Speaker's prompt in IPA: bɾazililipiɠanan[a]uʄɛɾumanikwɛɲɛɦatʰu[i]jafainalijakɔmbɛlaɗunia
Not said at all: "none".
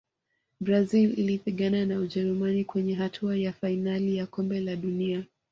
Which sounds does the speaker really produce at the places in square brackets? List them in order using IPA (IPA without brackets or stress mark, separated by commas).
a, a